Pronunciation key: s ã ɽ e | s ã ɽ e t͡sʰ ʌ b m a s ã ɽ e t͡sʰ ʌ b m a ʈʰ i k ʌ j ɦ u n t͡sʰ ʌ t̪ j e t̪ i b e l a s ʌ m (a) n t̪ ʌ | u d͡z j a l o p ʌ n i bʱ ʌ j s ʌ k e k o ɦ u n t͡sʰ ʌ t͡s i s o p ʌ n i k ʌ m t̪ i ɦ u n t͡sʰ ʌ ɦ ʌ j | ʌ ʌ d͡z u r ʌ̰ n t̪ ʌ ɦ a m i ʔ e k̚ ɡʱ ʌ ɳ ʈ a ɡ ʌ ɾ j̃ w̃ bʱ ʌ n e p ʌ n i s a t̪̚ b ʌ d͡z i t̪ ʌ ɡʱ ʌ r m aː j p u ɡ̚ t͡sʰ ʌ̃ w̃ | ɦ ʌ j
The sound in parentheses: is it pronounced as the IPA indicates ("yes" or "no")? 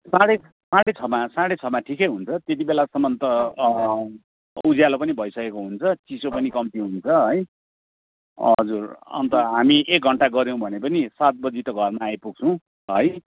no